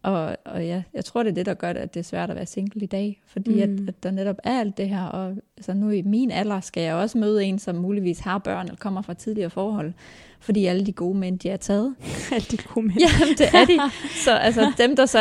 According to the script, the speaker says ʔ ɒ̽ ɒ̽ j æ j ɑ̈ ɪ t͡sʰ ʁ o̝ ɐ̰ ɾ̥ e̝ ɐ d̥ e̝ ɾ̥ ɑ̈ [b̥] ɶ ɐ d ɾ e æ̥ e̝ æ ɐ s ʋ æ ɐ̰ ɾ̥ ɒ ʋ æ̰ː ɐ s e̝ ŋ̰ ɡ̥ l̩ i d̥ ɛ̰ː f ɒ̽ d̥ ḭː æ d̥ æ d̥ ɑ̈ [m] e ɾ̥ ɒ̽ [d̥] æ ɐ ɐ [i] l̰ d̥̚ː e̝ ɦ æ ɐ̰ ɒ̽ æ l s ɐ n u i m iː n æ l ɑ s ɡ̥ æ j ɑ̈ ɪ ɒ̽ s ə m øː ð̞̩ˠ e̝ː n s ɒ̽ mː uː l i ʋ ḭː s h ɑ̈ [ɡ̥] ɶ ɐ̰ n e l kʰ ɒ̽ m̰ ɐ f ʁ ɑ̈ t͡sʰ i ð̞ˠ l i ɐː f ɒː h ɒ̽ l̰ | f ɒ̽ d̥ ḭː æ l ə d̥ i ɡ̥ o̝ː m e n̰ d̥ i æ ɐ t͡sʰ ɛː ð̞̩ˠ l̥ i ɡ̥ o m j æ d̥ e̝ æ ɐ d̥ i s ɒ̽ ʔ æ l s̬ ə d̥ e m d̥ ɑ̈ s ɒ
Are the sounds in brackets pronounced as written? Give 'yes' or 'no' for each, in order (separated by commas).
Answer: no, no, no, no, no